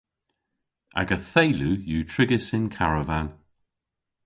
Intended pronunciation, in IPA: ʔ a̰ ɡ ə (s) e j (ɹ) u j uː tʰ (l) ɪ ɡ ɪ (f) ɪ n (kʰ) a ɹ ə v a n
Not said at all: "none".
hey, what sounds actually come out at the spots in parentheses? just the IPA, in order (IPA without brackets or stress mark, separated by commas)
θ, l, ɹ, s, kʰ